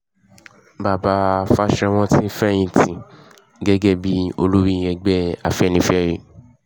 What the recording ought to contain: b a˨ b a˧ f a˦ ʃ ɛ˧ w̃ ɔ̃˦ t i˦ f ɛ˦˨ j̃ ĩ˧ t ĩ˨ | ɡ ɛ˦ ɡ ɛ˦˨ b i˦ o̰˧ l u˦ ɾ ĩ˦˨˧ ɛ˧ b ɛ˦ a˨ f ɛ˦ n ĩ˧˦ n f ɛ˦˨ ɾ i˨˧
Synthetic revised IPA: b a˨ b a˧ f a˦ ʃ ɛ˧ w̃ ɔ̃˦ t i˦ f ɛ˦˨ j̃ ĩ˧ t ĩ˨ | ɡ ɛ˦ ɡ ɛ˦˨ b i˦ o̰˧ l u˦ ɾ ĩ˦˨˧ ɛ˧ ɡ͡b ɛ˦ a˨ f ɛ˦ n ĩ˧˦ f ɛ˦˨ ɾ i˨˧